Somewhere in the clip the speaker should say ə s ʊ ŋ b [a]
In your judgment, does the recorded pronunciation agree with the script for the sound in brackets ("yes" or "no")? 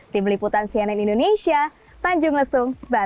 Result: yes